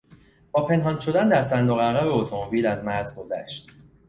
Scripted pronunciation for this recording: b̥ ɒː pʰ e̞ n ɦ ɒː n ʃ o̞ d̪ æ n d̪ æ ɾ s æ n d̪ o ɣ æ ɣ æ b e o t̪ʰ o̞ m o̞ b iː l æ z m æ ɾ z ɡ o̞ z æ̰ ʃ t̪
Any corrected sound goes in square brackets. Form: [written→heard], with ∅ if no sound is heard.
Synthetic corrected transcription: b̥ ɒː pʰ e̞ n ɦ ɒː n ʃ o̞ d̪ æ n d̪ æ ɾ s æ n d̪ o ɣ æ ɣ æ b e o t̪ʰ o̞ m o̞ b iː l æ z m æ ɾ z ɡ o̞ z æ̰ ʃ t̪